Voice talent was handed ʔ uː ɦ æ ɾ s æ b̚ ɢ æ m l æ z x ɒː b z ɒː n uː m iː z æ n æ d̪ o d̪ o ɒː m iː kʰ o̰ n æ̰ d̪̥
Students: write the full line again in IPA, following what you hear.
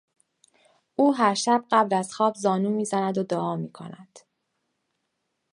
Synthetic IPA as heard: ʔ uː ɦ æ ɾ ʃ æ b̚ ɢ æ b l æ z x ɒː b z ɒː n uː m iː z æ n æ d̪ o d̪ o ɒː m iː kʰ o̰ n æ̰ d̪̥